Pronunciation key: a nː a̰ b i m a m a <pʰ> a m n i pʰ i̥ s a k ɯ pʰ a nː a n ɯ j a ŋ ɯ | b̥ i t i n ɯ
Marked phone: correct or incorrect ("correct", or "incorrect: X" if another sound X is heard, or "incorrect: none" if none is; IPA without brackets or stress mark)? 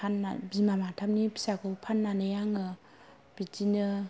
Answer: incorrect: tʰ